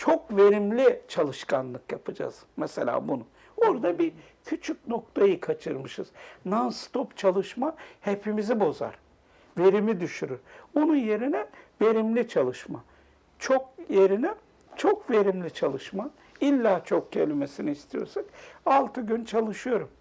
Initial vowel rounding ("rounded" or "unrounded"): rounded